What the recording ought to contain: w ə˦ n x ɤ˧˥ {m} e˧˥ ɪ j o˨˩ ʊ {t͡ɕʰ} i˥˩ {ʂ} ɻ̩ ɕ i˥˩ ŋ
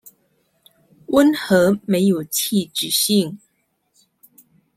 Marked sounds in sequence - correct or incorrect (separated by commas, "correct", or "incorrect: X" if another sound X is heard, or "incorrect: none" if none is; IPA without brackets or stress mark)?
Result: correct, correct, incorrect: ʈ͡ʂ